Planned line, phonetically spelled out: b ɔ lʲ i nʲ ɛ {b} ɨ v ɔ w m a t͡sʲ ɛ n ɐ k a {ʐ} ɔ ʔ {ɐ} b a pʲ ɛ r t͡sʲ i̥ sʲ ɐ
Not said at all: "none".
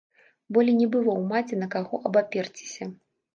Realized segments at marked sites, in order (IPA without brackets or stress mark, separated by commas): b, ɣ, ɐ